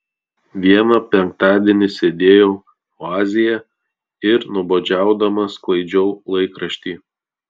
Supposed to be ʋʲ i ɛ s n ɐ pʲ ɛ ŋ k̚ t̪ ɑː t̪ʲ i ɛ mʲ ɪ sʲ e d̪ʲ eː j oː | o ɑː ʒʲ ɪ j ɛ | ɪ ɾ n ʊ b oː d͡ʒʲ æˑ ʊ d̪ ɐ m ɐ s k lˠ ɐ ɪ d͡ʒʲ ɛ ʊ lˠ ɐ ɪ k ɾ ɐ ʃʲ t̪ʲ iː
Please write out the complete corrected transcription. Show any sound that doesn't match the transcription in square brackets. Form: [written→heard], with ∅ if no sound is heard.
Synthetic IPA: ʋʲ i ɛ [s→∅] n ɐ pʲ ɛ ŋ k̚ t̪ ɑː [t̪ʲ→d̪ʲ] i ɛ [mʲ→nʲ] ɪ sʲ e d̪ʲ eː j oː | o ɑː [ʒʲ→zʲ] ɪ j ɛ | ɪ ɾ n ʊ b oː d͡ʒʲ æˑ ʊ d̪ ɐ m ɐ s k lˠ ɐ ɪ d͡ʒʲ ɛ ʊ lˠ ɐ ɪ k ɾ ɐ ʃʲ t̪ʲ iː

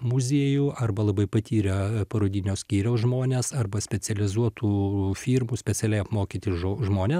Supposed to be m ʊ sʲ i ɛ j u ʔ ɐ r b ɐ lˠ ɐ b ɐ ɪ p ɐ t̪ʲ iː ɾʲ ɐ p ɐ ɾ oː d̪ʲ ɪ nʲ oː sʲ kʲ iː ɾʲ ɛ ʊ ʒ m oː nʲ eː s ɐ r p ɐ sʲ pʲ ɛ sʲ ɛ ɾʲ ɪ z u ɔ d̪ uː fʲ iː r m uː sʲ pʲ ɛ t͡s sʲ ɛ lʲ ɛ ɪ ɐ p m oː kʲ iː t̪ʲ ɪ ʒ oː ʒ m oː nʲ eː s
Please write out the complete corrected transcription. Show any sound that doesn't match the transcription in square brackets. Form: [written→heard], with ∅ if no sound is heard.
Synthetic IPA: m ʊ [sʲ→zʲ] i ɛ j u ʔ ɐ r b ɐ lˠ ɐ b ɐ ɪ p ɐ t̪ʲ iː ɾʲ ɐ p ɐ ɾ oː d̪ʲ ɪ nʲ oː sʲ kʲ iː ɾʲ ɛ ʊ ʒ m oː nʲ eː s ɐ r [p→b] ɐ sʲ pʲ ɛ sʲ ɛ [ɾʲ→lʲ] ɪ z u ɔ [d̪→t̪] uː fʲ iː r m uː sʲ pʲ ɛ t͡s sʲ ɛ lʲ ɛ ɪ ɐ p m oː kʲ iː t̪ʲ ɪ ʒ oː ʒ m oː nʲ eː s

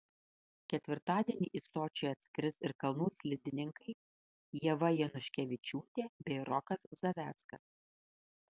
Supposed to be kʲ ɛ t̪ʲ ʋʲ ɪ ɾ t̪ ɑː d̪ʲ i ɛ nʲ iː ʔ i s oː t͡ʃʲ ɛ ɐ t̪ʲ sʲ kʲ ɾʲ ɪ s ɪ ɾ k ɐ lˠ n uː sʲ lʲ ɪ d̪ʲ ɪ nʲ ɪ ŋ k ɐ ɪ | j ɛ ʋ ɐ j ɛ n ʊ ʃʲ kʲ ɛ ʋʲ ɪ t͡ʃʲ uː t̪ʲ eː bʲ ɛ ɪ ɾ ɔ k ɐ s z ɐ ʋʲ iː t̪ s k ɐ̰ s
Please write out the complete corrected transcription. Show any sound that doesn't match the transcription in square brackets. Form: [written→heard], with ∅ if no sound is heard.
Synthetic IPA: kʲ ɛ t̪ʲ ʋʲ ɪ ɾ t̪ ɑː d̪ʲ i ɛ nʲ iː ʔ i s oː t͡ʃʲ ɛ ɐ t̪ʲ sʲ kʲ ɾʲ ɪ s ɪ ɾ k ɐ lˠ n uː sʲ lʲ ɪ d̪ʲ ɪ nʲ ɪ ŋ k ɐ ɪ | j ɛ ʋ ɐ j ɛ n ʊ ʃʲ kʲ ɛ ʋʲ ɪ t͡ʃʲ uː t̪ʲ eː bʲ ɛ ɪ ɾ ɔ k ɐ s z ɐ ʋʲ [iː→æː] t̪ s k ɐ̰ s

